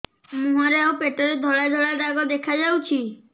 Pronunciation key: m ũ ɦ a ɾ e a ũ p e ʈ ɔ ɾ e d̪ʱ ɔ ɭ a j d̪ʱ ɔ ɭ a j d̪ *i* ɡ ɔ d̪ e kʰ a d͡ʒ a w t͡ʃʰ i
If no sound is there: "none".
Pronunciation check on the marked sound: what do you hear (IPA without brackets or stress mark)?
a